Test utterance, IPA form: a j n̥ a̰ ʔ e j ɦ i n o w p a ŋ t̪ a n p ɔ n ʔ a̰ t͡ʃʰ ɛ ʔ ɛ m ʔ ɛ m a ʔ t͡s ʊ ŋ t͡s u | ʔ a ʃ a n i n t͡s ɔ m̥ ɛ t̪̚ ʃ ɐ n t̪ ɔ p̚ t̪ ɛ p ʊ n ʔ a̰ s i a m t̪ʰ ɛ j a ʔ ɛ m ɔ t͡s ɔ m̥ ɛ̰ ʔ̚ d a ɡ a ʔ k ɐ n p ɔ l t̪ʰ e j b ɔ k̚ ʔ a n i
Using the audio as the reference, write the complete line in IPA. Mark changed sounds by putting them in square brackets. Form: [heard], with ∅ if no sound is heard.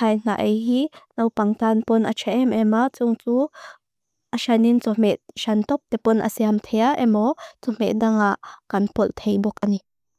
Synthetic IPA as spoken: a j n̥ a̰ ʔ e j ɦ i n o w p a ŋ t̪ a n p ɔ n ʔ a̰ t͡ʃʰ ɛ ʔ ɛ m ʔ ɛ m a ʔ t͡s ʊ ŋ t͡s u | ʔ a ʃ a n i n t͡s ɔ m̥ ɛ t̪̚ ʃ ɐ n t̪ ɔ p̚ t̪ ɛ p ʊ n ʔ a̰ s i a m t̪ʰ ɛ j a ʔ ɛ m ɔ t͡s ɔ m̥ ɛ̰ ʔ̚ d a [ŋ] a ʔ k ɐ n p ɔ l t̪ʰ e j b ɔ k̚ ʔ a n i